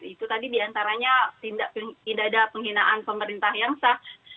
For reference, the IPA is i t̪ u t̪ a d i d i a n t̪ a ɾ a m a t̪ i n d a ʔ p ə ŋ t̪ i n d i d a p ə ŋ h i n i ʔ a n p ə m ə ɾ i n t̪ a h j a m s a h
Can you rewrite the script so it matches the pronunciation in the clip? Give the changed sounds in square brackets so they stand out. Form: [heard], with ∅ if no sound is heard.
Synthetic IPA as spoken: i t̪ u t̪ a d i d i a n t̪ a ɾ a [ɲ] a t̪ i n d a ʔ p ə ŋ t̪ i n d [a] d a p ə ŋ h i n [a] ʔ a n p ə m ə ɾ i n t̪ a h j a [ŋ] s a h